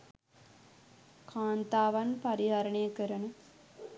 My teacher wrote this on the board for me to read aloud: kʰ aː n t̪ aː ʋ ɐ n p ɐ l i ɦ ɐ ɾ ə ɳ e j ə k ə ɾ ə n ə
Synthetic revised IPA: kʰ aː n t̪ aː ʋ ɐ n p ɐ ɾ i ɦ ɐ ɾ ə ɳ e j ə k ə ɾ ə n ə